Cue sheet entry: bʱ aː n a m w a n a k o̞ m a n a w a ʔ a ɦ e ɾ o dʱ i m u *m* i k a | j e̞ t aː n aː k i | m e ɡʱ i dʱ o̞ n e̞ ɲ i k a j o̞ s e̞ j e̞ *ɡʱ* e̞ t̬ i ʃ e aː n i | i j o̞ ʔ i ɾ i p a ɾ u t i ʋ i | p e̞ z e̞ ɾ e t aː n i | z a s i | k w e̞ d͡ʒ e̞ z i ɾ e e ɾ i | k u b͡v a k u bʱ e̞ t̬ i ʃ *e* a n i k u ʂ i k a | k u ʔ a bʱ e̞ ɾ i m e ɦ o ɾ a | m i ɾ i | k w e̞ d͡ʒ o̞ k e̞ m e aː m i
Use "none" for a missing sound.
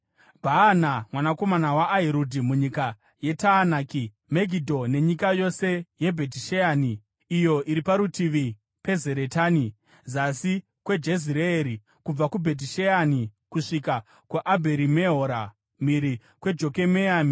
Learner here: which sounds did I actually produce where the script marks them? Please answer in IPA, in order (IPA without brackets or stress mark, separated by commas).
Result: ɲ, bʱ, e